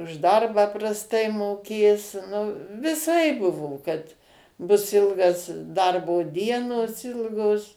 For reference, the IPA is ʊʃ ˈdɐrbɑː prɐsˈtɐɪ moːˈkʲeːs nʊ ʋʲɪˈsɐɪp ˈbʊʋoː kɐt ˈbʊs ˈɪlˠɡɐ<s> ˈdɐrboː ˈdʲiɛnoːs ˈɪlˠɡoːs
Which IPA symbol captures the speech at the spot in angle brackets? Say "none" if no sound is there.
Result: s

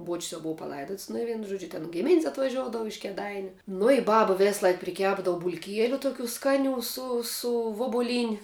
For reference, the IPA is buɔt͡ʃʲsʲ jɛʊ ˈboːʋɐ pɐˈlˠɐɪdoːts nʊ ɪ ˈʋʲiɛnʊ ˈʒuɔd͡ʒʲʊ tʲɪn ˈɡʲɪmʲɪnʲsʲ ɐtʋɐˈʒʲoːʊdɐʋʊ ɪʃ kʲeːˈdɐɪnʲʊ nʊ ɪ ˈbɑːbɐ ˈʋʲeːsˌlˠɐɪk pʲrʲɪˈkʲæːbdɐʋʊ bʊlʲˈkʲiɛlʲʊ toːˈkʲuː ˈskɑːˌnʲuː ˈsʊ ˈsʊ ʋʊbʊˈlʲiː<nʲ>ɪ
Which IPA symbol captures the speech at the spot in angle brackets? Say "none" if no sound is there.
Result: nʲ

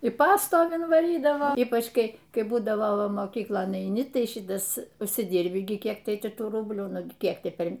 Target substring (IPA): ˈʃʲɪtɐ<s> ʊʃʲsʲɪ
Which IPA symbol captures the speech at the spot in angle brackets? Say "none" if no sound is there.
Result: s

